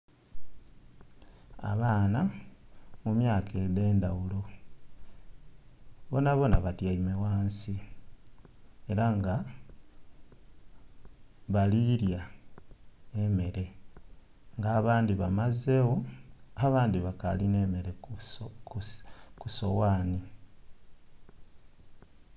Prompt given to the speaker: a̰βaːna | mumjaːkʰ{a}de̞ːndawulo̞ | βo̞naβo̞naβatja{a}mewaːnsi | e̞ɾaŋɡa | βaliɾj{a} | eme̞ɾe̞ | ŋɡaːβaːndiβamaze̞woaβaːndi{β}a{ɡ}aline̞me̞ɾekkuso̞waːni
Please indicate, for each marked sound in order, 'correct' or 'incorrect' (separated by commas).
incorrect, incorrect, correct, correct, incorrect